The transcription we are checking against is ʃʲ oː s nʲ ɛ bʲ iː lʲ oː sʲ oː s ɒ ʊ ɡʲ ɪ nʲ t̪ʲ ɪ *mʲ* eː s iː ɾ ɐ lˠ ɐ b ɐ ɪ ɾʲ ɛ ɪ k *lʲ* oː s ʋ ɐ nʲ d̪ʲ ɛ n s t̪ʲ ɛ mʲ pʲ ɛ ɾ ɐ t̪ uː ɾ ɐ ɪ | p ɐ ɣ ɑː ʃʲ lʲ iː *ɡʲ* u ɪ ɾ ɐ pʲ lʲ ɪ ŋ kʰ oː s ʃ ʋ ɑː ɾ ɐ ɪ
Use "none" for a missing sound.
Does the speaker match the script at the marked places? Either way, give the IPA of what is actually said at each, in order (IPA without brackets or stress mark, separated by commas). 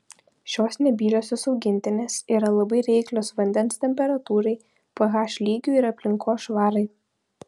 nʲ, lʲ, ɡʲ